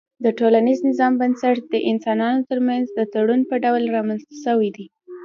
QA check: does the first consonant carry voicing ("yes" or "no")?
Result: yes